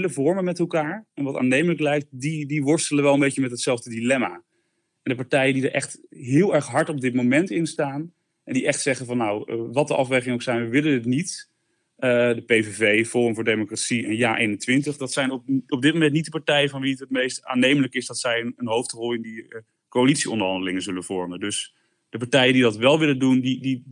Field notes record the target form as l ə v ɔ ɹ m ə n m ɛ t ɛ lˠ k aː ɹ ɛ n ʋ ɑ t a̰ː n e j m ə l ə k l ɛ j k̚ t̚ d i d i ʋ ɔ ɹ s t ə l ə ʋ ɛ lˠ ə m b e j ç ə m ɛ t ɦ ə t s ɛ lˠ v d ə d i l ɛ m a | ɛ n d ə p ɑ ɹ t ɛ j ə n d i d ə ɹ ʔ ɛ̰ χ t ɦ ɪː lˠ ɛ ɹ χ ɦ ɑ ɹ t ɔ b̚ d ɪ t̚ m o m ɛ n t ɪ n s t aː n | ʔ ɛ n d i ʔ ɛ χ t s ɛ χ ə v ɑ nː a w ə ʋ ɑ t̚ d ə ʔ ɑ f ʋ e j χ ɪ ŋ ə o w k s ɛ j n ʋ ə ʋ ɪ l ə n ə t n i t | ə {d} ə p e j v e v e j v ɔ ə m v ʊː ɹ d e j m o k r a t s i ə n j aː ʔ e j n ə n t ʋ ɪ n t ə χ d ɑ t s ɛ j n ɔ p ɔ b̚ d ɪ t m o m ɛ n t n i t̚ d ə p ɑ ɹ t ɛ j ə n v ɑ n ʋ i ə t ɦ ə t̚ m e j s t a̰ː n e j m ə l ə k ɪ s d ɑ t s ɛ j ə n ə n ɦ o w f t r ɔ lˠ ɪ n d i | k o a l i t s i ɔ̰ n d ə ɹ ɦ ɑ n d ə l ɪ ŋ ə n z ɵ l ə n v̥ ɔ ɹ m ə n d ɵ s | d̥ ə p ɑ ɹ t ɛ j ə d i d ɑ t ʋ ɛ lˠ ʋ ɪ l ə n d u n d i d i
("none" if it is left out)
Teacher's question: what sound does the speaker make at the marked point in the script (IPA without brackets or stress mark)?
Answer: d